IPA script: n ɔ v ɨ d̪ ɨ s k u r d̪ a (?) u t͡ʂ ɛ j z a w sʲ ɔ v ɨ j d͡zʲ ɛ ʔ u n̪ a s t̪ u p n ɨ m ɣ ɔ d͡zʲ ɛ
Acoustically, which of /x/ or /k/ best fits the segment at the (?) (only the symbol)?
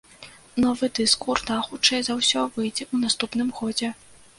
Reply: x